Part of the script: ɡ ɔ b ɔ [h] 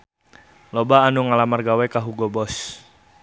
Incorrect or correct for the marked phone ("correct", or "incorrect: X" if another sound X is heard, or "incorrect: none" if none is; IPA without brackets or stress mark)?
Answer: incorrect: s